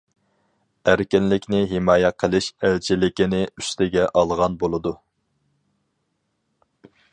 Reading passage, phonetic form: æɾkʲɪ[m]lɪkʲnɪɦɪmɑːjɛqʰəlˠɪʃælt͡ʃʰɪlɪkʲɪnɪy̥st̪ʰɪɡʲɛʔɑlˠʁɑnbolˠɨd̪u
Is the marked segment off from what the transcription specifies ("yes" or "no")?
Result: yes